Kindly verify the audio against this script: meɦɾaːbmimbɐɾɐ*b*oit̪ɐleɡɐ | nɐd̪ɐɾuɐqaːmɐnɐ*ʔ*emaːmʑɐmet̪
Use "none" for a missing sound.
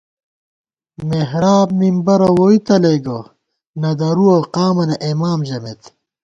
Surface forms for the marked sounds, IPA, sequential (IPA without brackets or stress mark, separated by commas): w, ʔ